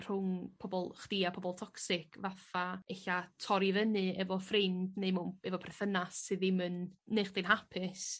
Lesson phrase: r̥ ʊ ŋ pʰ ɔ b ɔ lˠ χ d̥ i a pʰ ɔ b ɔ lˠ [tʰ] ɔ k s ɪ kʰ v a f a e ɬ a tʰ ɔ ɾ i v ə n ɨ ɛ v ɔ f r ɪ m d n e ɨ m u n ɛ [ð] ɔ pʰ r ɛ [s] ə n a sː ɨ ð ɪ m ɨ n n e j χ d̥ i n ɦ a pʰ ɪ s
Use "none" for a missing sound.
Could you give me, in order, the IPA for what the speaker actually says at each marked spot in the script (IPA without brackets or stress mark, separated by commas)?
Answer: tʰ, v, θ